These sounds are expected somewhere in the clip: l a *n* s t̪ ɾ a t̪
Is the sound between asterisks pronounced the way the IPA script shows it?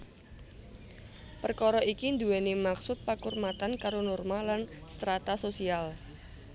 yes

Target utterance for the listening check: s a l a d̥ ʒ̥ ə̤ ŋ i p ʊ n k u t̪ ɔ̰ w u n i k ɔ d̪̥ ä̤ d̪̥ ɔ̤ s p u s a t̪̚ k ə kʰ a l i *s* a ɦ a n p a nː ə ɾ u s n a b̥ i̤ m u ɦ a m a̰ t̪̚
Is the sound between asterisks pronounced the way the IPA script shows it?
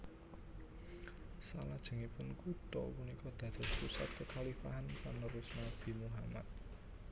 no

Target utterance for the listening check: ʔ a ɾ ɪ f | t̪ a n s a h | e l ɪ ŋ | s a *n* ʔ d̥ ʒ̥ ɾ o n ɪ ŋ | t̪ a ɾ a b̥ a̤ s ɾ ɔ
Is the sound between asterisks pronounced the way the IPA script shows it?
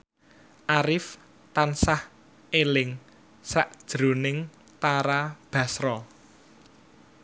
no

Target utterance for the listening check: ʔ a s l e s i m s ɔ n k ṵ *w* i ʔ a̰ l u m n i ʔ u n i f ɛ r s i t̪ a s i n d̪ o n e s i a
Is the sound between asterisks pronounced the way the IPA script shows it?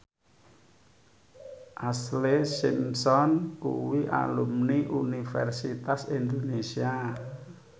yes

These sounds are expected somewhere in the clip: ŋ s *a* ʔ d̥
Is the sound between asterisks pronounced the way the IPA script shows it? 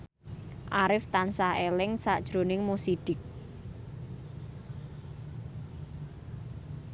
yes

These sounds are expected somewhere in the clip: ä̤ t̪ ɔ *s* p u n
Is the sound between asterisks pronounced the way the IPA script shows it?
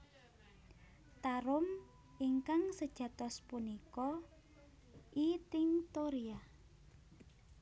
yes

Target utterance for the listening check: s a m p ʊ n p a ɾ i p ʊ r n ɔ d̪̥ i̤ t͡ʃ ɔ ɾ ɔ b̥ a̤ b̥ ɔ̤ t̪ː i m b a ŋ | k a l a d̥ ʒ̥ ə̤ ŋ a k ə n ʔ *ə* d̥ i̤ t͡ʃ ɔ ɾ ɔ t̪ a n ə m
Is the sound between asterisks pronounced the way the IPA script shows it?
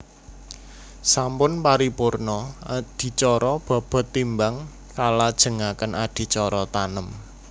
no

